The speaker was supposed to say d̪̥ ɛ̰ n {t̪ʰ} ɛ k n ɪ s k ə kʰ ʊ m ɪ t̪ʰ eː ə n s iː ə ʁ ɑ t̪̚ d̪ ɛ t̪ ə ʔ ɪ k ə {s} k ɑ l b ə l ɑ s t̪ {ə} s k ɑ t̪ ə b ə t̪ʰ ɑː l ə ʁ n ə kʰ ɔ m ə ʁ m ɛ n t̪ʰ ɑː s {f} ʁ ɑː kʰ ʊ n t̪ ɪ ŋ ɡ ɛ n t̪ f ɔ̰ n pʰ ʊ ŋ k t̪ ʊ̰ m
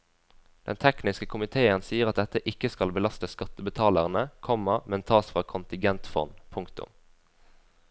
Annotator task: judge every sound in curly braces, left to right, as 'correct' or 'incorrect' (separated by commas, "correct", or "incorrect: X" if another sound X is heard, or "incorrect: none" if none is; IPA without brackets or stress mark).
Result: correct, correct, correct, correct